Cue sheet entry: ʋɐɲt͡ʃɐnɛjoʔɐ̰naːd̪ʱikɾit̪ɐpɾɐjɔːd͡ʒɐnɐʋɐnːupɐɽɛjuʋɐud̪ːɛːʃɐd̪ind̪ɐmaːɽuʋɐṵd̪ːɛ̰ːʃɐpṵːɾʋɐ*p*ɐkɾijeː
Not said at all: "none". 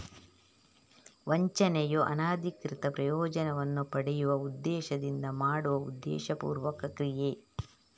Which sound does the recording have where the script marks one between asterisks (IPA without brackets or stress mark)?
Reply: k